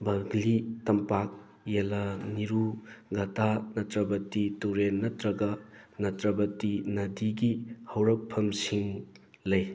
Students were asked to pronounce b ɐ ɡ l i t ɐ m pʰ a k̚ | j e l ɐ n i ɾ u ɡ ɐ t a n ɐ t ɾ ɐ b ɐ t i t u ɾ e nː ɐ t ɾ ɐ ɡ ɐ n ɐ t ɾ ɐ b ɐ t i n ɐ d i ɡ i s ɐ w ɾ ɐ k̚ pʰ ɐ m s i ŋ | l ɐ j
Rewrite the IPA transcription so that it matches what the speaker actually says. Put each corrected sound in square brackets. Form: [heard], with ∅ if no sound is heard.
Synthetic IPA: b ɐ ɡ l i t ɐ m [p] a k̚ | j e l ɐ n i ɾ u ɡ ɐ t a n ɐ t ɾ ɐ b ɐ t i t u ɾ e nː ɐ t ɾ ɐ ɡ ɐ n ɐ t ɾ ɐ b ɐ t i n ɐ d i ɡ i [h] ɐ w ɾ ɐ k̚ pʰ ɐ m s i ŋ | l ɐ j